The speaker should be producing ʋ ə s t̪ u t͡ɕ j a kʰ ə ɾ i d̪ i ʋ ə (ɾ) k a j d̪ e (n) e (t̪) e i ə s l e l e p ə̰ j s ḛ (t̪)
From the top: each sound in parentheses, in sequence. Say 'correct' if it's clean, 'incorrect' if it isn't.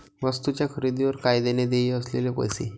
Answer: correct, correct, incorrect: d̪, incorrect: none

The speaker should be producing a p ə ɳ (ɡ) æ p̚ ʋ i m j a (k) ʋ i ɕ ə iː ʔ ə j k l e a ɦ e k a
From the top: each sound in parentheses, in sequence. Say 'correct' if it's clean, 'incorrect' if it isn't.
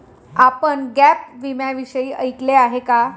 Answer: correct, incorrect: none

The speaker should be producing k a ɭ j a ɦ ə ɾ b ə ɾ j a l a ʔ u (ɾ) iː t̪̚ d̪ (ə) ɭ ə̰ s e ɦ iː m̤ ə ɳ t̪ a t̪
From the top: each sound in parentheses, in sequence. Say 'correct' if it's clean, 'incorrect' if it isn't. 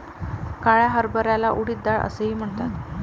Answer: incorrect: ɽ, incorrect: a

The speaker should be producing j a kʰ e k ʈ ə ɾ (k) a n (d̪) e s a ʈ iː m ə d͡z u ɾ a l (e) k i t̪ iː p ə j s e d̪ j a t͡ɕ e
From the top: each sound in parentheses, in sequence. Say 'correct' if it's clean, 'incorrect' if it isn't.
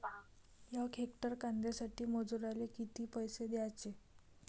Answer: correct, correct, correct

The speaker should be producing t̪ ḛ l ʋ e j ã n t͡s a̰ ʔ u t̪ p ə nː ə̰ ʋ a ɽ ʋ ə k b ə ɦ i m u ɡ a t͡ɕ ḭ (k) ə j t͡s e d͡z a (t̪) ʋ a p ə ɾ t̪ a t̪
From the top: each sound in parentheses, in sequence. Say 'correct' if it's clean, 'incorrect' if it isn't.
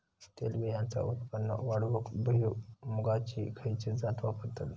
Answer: incorrect: kʰ, correct

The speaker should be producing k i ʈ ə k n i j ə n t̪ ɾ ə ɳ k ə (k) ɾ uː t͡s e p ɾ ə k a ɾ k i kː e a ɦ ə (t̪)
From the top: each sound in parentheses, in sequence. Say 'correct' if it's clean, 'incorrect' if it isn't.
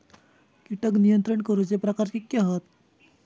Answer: incorrect: none, correct

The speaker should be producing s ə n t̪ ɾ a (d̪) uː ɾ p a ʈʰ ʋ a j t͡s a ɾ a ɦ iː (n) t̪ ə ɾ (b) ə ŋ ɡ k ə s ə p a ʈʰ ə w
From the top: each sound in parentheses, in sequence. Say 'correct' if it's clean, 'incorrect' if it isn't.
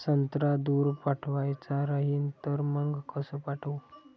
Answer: correct, correct, incorrect: m

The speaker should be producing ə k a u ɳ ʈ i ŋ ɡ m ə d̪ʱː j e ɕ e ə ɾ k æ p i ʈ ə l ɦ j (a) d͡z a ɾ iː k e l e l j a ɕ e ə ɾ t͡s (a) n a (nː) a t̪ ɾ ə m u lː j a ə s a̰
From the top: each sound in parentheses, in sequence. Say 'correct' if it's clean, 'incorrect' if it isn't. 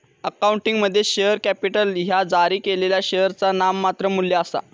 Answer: correct, correct, incorrect: mː

